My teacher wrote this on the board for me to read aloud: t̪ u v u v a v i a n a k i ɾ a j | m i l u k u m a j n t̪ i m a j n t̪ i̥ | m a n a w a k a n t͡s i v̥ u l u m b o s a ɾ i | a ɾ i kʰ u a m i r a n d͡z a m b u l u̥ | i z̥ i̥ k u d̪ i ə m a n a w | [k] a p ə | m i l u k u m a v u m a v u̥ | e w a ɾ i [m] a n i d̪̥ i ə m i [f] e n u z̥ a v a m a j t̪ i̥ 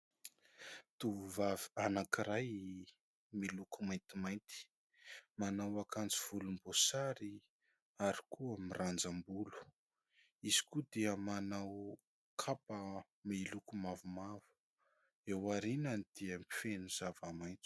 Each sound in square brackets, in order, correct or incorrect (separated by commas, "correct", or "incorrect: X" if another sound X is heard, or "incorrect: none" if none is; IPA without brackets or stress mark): incorrect: kʰ, incorrect: n, correct